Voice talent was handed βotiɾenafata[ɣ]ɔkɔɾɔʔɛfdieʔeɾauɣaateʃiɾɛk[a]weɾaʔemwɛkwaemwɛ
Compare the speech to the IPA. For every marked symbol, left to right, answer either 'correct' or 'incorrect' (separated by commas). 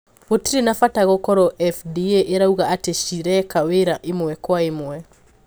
correct, correct